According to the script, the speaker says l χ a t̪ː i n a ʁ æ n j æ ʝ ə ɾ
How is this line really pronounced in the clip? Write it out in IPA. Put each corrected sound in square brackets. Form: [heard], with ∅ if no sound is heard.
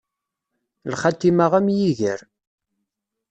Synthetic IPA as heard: l χ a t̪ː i [m] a ʁ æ [m] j [i] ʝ ə ɾ